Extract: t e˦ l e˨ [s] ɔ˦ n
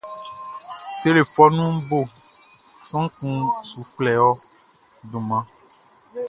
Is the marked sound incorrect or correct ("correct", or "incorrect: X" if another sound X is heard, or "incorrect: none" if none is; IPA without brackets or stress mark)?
incorrect: f